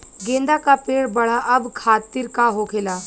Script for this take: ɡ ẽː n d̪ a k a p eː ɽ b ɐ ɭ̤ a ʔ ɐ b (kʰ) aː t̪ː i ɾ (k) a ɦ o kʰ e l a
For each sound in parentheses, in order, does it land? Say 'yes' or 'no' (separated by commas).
yes, yes